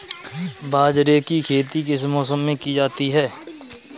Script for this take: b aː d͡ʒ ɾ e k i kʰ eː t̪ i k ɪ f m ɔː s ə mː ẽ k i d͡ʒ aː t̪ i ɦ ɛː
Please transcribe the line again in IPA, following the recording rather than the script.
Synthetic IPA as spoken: b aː d͡ʒ ɾ e k i kʰ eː t̪ i k ɪ s m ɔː s ə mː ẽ k i d͡ʒ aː t̪ i ɦ ɛː